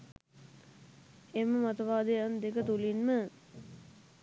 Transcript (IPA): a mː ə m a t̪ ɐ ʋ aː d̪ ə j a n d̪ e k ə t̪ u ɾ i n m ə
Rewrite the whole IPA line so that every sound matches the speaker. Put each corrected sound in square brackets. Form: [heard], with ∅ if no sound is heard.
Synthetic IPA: [e] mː ə m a t̪ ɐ ʋ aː d̪ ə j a n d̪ e k ə t̪ u [l] i n m ə